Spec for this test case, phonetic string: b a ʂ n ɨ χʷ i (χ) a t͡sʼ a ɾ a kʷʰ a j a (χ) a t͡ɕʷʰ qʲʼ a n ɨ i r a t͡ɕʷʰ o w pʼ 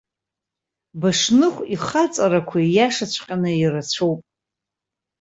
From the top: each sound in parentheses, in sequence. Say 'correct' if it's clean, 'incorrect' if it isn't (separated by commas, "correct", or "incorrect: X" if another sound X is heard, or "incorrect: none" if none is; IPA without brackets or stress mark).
correct, incorrect: ʂ